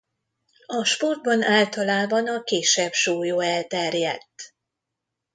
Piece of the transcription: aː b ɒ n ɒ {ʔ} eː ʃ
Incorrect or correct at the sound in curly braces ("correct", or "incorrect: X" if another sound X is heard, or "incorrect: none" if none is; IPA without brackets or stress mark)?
incorrect: k